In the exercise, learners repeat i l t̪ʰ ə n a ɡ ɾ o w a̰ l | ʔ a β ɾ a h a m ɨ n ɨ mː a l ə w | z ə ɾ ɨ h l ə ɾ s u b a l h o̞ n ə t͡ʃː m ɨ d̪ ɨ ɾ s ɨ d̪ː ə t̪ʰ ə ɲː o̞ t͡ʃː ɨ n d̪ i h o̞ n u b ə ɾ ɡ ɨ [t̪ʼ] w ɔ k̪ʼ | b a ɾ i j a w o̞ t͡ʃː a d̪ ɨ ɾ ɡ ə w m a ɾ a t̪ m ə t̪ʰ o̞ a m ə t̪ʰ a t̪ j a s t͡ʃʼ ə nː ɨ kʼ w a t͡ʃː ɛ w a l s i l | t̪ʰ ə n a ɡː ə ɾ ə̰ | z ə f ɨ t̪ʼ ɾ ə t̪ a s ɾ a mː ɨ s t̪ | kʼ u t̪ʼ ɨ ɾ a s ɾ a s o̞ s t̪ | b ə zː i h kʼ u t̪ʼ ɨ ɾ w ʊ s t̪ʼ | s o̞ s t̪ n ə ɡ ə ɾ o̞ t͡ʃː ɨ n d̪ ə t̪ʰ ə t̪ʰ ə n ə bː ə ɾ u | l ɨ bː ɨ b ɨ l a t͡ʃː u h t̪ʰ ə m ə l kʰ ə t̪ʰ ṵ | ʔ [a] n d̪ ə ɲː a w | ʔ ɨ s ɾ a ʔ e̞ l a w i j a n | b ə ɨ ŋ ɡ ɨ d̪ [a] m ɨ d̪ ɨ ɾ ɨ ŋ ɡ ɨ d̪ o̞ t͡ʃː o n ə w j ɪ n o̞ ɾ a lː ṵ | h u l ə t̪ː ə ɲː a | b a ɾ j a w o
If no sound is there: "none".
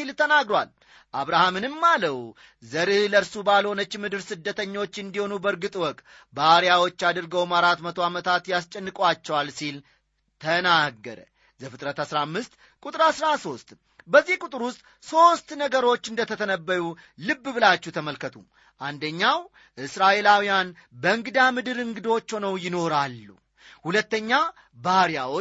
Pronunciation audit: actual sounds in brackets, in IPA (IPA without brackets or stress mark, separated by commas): t̪ʼ, a, a